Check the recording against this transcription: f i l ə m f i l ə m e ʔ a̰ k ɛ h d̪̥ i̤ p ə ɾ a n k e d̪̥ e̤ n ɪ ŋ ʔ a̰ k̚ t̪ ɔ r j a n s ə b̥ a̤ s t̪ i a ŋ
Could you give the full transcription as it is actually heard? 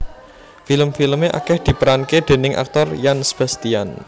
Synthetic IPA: f i l ə m f i l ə m e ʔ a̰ k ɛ h d̪̥ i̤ p ə ɾ a n k e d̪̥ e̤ n ɪ ŋ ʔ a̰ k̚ t̪ ɔ r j a n s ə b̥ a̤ s t̪ i a n